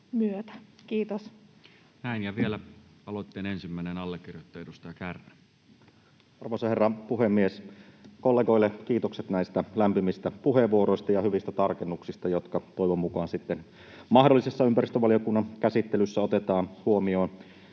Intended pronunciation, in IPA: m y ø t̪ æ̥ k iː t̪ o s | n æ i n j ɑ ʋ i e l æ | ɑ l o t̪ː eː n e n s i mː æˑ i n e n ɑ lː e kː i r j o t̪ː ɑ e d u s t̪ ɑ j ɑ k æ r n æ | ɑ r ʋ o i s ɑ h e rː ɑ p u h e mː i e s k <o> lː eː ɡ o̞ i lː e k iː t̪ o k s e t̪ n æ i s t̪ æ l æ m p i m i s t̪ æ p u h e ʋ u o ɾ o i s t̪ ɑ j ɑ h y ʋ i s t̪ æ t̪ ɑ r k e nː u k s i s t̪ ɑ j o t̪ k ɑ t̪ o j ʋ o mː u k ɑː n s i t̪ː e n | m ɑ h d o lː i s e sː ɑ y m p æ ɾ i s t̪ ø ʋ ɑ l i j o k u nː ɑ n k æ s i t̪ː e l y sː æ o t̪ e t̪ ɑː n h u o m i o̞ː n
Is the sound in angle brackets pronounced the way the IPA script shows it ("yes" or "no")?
yes